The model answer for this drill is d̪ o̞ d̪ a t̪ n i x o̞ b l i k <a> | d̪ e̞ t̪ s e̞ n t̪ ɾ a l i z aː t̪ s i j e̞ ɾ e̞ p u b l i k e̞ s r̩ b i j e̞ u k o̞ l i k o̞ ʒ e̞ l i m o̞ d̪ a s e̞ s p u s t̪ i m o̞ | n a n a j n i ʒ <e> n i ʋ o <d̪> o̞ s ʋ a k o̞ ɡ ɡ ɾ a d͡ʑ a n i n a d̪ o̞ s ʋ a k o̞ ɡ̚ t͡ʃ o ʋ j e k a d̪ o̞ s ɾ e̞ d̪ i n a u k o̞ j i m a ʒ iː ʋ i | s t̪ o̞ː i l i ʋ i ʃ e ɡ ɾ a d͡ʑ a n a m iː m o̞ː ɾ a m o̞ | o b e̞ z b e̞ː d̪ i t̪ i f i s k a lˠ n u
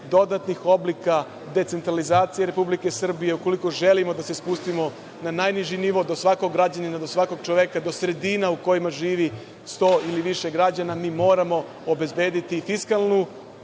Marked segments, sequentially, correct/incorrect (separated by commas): correct, incorrect, correct